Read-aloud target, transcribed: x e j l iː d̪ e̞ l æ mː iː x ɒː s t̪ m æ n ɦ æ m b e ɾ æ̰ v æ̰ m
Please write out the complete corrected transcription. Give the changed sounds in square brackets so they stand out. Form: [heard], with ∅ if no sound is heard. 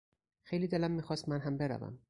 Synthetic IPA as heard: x e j l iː d̪ e̞ l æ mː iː x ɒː s t̪ m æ n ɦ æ m b e ɾ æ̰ v æ̰ m